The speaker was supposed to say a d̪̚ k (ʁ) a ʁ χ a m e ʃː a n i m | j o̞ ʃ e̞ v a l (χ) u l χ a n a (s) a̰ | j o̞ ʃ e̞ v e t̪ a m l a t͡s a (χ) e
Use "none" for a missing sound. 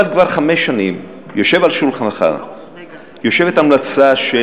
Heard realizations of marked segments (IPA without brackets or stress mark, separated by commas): v, ʃ, χ, ʃ